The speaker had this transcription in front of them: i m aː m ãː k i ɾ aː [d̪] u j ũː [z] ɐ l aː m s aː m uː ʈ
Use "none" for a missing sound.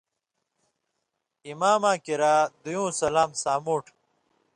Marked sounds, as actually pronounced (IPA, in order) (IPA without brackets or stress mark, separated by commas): d̪, s